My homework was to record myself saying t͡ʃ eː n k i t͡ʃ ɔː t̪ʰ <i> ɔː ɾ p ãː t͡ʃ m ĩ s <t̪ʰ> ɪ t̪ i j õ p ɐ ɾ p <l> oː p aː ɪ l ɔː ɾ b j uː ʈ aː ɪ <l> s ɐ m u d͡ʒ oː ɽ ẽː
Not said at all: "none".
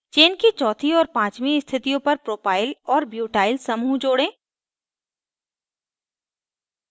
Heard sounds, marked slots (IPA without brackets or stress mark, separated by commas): i, t̪ʰ, ɾ, l